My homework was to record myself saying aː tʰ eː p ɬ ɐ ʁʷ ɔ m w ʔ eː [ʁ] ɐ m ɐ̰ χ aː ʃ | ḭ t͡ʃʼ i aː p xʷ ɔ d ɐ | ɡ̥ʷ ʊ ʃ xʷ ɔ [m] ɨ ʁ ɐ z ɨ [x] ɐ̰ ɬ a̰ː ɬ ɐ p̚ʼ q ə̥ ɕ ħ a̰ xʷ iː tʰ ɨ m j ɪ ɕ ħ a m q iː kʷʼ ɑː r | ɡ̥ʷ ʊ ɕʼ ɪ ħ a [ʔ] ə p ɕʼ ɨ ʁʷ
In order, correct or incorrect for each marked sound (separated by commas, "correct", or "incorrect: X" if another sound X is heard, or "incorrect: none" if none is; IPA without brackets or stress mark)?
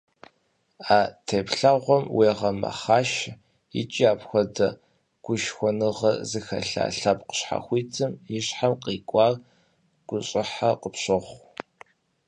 correct, incorrect: n, correct, incorrect: q